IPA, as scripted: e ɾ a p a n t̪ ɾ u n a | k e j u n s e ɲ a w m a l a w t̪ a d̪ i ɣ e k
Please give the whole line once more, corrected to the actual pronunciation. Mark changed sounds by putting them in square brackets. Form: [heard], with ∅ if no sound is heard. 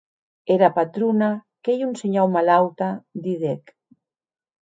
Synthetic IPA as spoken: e ɾ a p a [∅] t̪ ɾ u n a | k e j u n s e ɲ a w m a l a w t̪ a d̪ i [ð] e k